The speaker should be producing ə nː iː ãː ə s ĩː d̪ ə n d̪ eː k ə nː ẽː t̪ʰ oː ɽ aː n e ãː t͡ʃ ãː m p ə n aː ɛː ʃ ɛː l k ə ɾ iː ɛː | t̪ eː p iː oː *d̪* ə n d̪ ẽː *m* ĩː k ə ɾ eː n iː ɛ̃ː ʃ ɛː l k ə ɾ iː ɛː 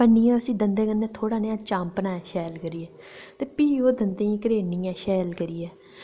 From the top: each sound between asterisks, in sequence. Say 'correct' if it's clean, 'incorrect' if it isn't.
correct, incorrect: none

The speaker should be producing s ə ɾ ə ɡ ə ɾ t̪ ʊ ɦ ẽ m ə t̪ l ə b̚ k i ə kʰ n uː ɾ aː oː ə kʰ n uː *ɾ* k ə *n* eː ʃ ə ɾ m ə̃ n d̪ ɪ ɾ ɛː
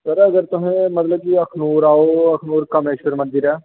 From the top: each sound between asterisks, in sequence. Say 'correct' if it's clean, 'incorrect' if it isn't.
correct, incorrect: m

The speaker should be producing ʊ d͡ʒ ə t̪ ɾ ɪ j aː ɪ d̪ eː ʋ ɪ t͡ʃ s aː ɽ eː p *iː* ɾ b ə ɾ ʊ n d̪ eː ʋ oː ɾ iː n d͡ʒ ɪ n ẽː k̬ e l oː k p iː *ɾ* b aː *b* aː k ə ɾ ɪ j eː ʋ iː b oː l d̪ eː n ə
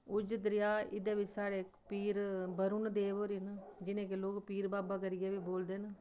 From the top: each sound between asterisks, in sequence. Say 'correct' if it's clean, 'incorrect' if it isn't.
correct, correct, correct

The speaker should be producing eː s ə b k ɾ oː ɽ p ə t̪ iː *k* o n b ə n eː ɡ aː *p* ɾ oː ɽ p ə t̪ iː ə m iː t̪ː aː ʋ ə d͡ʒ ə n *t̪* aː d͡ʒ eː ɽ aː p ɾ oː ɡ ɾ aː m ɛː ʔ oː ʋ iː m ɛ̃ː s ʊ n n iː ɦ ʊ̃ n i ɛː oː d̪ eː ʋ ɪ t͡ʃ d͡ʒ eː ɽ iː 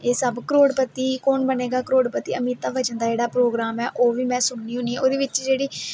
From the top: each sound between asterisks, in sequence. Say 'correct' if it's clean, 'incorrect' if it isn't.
correct, incorrect: k, incorrect: d̪

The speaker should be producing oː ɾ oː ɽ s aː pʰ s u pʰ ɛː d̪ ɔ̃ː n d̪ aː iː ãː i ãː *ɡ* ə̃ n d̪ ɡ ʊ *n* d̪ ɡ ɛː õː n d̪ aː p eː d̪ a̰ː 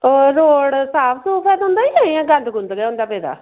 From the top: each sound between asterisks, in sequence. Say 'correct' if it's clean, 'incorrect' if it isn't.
correct, correct

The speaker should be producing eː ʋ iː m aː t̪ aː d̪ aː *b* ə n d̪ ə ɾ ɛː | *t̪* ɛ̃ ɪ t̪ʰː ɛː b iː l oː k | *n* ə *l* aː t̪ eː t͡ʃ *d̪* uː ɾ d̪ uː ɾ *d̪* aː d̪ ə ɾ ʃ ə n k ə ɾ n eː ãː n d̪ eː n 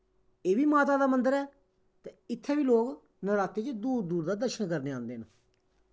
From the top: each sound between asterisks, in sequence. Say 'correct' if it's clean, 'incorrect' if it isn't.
incorrect: m, correct, correct, incorrect: ɾ, correct, correct

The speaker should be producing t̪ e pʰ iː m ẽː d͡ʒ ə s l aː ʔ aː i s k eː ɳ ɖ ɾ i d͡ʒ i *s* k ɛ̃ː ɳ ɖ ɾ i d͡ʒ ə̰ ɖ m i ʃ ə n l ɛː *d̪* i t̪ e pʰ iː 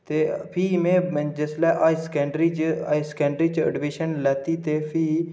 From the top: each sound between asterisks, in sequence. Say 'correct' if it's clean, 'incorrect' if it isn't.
correct, incorrect: t̪

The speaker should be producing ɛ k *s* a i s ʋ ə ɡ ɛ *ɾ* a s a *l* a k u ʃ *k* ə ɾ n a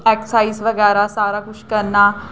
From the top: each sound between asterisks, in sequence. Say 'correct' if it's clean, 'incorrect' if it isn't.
correct, correct, incorrect: ɾ, correct

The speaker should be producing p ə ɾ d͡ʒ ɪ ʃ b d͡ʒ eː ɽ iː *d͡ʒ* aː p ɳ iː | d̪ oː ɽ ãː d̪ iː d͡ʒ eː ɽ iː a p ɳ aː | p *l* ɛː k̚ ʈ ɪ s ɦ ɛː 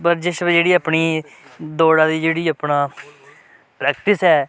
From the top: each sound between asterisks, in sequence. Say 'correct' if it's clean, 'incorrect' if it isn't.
incorrect: none, incorrect: ɾ

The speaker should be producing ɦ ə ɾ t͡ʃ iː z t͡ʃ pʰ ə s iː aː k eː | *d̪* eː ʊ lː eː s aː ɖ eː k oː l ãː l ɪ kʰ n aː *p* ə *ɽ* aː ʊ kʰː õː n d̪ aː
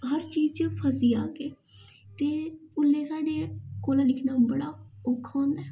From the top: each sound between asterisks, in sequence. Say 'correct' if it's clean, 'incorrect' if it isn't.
incorrect: t̪, incorrect: b, correct

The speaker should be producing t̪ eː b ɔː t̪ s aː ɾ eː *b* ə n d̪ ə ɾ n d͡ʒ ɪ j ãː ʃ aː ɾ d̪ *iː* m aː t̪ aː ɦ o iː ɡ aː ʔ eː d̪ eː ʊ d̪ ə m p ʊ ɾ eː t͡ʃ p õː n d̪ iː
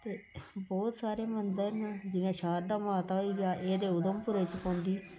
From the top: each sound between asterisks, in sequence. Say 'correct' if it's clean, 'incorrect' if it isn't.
incorrect: m, incorrect: aː

